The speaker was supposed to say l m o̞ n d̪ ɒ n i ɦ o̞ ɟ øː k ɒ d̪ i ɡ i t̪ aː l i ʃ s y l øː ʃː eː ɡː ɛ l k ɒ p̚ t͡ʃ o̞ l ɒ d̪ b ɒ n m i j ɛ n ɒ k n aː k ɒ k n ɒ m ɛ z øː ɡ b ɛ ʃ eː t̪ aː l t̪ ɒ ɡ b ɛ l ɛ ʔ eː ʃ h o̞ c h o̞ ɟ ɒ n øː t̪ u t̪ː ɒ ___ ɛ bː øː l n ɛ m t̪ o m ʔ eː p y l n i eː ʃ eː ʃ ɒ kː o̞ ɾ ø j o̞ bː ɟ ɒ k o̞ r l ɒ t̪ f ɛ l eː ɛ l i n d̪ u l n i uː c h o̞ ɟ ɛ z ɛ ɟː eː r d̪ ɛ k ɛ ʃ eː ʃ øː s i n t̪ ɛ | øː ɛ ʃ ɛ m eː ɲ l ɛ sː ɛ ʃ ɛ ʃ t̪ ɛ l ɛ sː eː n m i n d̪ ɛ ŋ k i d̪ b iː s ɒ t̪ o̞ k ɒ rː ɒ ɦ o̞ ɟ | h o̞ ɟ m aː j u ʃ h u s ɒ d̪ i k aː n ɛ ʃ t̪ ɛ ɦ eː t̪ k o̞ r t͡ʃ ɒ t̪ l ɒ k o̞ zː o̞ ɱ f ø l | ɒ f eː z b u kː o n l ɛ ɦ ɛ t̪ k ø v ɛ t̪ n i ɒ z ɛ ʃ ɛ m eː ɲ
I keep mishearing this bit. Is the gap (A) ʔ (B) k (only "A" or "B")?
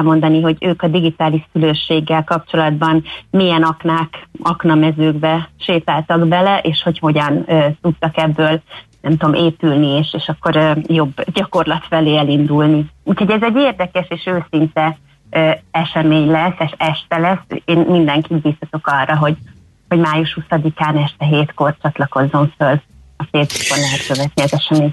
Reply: B